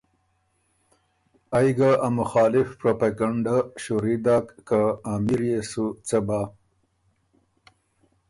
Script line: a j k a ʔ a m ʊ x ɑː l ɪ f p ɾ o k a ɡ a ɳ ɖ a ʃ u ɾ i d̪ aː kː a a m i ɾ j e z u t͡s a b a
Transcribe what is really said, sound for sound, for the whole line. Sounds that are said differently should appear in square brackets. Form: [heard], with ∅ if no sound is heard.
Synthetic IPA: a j [ɡ] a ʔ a m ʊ x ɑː l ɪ f p ɾ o [p] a ɡ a ɳ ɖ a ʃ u ɾ i d̪ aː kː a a m i ɾ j e [s] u t͡s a b a